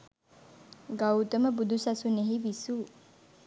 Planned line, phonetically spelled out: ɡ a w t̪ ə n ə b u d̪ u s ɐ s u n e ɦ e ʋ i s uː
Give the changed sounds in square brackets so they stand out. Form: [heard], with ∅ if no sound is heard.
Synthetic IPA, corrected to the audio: ɡ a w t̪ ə [m] ə b u d̪ u s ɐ s u n e ɦ [i] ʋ i s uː